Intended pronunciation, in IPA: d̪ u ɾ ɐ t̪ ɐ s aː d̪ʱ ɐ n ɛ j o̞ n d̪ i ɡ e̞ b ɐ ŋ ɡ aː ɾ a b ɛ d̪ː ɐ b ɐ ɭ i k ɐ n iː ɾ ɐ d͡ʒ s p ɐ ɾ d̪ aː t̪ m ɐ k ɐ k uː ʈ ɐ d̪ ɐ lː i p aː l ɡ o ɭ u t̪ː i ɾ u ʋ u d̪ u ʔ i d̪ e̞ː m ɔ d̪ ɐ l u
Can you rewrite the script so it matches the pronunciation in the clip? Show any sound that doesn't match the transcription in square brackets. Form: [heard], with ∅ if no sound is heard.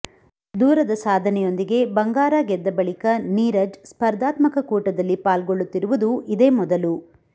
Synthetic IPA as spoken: d̪ [uː] ɾ ɐ [d̪] ɐ s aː d̪ʱ ɐ n ɛ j o̞ n d̪ i ɡ e̞ b ɐ ŋ ɡ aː ɾ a [ɡ] ɛ d̪ː ɐ b ɐ ɭ i k ɐ n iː ɾ ɐ d͡ʒ s p ɐ ɾ d̪ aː t̪ m ɐ k ɐ k uː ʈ ɐ d̪ ɐ lː i p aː l ɡ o [ɭː] u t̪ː i ɾ u ʋ u d̪ u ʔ i d̪ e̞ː m ɔ d̪ ɐ l u